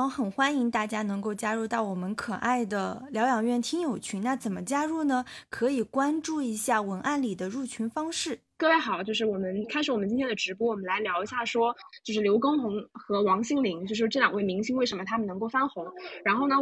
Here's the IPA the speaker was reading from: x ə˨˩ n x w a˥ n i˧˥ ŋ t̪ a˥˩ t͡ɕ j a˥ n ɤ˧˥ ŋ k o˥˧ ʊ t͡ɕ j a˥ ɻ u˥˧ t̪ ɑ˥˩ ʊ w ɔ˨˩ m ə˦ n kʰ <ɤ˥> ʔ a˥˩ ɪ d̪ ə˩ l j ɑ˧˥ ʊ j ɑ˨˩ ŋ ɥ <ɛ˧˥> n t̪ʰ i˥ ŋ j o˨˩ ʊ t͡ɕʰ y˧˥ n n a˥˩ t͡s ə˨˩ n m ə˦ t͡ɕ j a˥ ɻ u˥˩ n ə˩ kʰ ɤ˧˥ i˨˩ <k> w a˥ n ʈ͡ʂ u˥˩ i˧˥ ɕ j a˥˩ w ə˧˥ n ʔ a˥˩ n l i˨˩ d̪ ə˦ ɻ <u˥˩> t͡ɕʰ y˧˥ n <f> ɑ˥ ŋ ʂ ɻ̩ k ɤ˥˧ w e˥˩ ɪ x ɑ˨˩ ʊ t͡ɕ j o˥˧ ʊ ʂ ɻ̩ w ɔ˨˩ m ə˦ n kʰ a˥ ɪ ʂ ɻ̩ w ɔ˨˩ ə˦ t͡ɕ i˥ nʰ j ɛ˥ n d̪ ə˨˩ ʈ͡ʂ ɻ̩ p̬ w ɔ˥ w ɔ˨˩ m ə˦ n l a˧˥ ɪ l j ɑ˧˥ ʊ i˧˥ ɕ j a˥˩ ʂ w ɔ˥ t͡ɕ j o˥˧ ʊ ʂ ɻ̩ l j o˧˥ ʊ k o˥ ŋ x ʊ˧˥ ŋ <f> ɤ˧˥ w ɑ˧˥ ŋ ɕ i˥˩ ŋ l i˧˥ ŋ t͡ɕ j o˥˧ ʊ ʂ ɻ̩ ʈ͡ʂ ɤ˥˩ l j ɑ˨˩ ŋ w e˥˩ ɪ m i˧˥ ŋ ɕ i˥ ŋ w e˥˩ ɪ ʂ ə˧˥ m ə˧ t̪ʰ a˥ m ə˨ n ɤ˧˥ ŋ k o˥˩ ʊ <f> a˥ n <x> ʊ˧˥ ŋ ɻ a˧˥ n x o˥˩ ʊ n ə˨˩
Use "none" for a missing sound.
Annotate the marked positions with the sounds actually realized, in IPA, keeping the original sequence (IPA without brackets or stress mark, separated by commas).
ɤ˨˩, ɛ˥˩, k, u˥˩, f, x, f, x